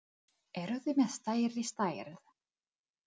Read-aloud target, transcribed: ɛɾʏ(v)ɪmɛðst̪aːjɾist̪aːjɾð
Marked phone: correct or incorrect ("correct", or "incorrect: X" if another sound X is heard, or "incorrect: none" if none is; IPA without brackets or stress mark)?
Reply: incorrect: ð